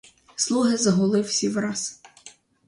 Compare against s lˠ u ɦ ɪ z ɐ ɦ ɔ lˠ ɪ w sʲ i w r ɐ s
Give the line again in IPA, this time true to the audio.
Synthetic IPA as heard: s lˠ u ɦ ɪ z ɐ ɦ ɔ lˠ ɪ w sʲ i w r ɑ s